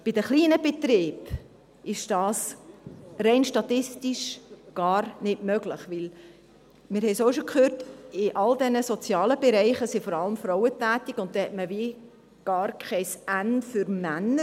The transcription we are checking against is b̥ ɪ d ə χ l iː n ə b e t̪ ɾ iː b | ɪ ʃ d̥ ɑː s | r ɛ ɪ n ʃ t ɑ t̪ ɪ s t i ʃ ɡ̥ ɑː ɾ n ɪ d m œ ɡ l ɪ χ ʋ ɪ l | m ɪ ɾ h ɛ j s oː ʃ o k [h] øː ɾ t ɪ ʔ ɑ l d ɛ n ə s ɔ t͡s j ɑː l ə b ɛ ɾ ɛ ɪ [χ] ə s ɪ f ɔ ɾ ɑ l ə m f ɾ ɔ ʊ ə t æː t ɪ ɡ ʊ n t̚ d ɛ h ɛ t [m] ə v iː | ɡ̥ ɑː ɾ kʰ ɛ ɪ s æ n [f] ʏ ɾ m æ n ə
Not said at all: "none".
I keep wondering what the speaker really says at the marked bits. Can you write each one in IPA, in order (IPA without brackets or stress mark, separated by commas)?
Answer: χ, χ, m, f